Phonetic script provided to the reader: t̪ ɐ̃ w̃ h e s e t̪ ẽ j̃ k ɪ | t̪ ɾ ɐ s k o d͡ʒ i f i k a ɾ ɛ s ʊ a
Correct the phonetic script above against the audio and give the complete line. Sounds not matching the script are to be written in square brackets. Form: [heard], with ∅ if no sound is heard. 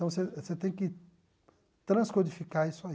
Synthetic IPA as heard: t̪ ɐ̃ w̃ [s] e s e t̪ ẽ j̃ k ɪ | t̪ ɾ [ɐ̃] s k o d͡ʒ i f i k a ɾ [i] s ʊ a